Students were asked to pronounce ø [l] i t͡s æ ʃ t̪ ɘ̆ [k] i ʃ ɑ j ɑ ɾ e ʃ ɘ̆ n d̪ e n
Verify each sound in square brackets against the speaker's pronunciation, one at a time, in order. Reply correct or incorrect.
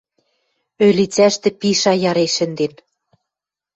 correct, incorrect: p

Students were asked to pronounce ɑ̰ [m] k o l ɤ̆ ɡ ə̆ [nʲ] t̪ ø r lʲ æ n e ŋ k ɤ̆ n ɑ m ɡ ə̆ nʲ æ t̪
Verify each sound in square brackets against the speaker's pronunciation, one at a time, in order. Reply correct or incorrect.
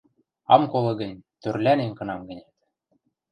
correct, correct

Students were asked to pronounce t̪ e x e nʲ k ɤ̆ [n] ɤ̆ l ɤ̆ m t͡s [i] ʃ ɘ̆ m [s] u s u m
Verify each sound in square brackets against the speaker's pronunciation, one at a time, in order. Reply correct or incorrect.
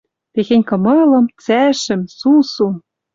incorrect: m, incorrect: æ, correct

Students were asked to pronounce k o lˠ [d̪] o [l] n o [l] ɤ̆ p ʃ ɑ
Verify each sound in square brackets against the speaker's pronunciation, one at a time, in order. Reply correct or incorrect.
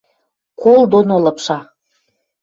correct, incorrect: none, correct

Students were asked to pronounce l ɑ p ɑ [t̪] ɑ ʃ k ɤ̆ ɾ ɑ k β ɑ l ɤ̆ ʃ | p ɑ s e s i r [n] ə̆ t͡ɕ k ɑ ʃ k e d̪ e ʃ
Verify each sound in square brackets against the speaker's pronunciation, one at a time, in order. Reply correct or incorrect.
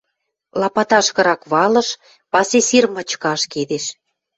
correct, incorrect: m

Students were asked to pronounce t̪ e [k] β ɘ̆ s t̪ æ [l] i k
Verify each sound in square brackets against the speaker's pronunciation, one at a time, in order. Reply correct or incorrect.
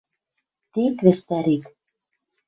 correct, incorrect: ɾ

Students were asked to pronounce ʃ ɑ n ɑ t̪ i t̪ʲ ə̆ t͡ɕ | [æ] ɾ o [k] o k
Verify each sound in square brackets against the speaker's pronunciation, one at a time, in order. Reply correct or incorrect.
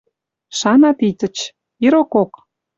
incorrect: i, correct

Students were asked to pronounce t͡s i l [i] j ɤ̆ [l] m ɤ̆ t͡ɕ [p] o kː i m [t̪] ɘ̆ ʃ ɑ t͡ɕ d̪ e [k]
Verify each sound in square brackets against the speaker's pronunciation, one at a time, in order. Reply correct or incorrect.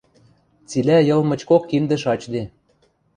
incorrect: æ, correct, incorrect: k, incorrect: d̪, incorrect: none

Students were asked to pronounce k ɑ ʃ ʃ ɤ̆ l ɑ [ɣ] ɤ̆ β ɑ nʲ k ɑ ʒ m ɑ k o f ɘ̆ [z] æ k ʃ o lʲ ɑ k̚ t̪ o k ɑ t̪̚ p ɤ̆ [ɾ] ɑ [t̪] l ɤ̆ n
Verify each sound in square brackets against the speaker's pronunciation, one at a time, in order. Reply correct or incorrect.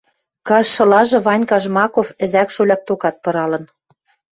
incorrect: ʒ, correct, correct, incorrect: none

